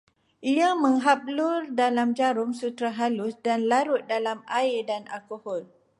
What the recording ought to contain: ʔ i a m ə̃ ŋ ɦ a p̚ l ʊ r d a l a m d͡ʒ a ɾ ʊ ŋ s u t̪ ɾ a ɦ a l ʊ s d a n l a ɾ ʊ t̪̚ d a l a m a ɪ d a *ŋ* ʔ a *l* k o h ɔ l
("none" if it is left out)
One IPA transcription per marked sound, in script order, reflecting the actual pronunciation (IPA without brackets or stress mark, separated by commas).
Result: n, l